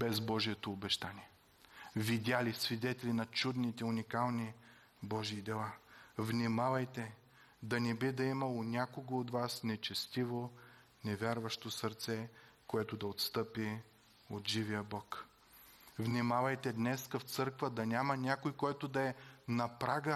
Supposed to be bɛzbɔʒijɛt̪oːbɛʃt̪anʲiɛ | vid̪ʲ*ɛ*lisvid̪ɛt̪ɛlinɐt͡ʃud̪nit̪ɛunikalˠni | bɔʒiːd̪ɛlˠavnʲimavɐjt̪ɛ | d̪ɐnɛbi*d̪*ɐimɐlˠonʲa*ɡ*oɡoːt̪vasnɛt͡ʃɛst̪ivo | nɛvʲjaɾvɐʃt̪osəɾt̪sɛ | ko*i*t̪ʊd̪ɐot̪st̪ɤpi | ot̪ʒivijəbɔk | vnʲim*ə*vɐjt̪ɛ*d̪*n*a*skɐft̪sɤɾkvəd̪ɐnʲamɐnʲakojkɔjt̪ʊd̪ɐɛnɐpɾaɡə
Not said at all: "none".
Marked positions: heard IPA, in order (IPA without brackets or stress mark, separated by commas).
a, d̪, k, ɛ, a, d̪, ɛ